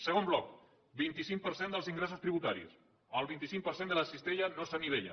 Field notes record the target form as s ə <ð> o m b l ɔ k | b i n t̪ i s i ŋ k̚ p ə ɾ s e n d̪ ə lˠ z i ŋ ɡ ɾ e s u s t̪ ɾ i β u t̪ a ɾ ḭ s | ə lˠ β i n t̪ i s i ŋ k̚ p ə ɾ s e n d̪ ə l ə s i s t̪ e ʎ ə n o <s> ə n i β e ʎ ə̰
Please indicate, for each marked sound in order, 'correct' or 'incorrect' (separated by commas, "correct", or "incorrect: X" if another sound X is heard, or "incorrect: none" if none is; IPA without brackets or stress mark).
incorrect: ɣ, correct